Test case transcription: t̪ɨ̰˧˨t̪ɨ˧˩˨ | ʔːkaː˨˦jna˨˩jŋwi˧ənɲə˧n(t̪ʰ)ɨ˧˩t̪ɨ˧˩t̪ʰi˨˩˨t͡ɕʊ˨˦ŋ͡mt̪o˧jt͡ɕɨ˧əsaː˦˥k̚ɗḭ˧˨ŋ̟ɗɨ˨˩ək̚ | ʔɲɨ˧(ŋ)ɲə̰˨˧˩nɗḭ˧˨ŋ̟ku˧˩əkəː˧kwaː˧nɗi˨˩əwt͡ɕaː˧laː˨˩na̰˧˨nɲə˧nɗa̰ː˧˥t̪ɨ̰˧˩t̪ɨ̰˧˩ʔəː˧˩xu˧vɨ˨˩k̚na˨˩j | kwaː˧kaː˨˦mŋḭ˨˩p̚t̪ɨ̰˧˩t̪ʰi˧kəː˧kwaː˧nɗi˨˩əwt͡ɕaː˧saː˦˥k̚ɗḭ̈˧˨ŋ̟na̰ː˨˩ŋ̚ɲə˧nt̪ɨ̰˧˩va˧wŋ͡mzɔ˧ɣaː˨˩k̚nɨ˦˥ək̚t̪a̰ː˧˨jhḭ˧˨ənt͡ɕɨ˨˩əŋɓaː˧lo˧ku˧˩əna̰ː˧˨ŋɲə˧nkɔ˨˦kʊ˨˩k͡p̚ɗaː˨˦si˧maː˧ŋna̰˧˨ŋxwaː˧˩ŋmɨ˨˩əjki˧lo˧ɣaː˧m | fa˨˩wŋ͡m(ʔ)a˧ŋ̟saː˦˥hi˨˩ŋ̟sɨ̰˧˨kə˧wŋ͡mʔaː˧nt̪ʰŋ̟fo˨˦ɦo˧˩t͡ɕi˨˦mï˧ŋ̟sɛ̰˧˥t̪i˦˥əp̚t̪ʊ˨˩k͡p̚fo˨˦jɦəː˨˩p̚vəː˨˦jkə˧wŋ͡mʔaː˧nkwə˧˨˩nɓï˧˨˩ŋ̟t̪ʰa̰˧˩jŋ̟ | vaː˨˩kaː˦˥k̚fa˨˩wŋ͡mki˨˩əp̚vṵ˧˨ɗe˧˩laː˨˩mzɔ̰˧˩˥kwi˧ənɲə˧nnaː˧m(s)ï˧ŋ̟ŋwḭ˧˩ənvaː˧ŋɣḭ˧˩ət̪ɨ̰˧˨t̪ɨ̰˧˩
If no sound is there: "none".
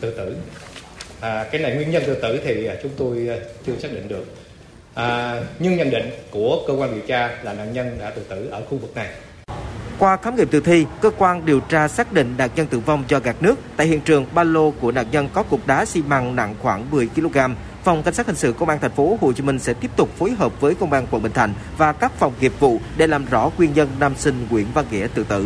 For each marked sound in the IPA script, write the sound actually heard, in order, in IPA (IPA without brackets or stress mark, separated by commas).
t̪, ŋ, k, s